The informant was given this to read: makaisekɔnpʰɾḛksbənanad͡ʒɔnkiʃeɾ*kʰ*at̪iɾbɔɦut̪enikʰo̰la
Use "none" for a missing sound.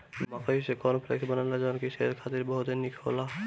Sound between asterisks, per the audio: kʰ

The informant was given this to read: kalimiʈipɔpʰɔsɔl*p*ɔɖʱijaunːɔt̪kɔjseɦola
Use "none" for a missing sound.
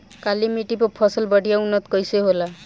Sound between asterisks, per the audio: b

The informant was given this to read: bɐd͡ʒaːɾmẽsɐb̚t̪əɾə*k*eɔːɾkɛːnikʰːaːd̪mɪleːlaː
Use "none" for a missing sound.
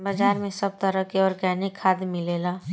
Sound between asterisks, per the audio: k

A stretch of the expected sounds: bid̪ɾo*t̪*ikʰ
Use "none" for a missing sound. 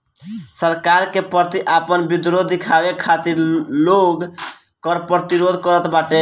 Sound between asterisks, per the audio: d̪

